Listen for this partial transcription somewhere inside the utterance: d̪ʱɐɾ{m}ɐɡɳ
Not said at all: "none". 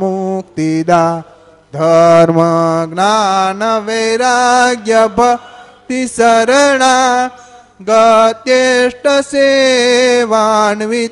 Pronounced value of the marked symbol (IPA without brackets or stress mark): m